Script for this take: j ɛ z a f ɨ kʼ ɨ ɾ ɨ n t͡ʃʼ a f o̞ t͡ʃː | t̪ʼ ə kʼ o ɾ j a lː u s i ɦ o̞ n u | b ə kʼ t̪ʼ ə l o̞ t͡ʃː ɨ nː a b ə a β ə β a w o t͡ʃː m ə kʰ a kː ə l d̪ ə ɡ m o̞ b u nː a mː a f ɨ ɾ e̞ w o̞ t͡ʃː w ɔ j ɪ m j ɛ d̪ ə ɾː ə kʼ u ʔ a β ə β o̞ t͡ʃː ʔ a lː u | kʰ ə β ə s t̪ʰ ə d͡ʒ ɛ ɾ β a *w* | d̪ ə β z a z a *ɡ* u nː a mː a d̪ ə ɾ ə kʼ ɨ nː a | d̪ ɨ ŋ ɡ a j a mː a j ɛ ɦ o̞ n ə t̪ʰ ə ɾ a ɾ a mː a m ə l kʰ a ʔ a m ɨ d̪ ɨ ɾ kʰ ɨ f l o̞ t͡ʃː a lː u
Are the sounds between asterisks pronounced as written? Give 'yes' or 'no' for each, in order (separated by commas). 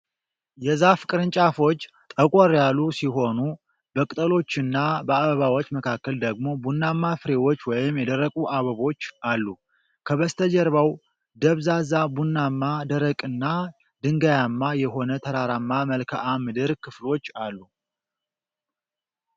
yes, no